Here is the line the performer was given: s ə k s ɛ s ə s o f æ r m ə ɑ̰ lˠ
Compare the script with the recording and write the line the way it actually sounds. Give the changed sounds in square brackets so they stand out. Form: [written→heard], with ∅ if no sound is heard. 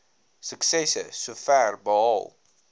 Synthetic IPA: s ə k s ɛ s ə s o f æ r [m→b] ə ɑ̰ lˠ